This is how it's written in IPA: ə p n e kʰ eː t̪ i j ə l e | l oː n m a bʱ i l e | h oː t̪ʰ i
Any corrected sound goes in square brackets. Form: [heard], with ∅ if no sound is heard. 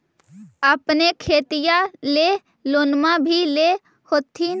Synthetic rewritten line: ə p n e kʰ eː t̪ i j [a] l e | l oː n m a bʱ i l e | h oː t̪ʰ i